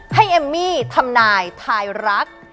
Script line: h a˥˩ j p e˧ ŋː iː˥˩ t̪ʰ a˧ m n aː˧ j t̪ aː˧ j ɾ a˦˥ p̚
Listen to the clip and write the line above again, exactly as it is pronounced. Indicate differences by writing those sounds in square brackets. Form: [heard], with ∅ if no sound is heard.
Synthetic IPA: h a˥˩ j [ʔ] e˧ [mː] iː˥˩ t̪ʰ a˧ m n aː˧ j [t̪ʰ] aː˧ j ɾ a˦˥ [k̚]